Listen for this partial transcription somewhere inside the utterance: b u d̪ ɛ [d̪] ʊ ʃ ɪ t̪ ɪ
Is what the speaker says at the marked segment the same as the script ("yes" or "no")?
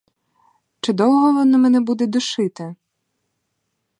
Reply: yes